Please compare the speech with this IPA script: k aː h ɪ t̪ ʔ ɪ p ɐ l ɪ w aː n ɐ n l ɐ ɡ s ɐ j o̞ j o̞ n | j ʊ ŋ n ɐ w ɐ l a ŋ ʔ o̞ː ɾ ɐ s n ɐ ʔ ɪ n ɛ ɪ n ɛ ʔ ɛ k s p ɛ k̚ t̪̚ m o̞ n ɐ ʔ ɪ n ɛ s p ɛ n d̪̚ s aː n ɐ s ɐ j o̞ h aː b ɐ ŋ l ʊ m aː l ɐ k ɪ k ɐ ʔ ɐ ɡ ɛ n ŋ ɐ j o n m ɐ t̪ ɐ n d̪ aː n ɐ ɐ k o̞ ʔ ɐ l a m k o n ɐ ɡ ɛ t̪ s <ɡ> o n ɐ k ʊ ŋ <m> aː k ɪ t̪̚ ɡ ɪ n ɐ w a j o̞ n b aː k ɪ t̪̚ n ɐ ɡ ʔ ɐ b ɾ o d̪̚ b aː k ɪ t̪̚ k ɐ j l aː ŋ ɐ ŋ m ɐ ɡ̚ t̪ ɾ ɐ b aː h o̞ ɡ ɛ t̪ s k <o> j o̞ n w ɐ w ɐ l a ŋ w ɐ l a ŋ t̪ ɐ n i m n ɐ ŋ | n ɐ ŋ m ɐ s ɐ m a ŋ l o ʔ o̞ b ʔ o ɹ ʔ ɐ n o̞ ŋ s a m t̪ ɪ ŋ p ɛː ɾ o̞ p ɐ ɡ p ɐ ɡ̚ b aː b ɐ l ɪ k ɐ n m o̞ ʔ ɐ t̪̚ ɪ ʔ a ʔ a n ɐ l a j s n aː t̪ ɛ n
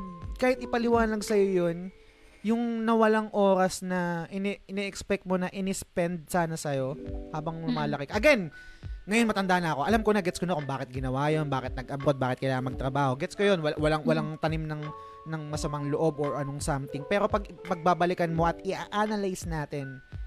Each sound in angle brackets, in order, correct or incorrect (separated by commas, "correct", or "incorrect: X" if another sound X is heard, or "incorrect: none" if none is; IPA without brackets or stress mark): incorrect: k, incorrect: b, correct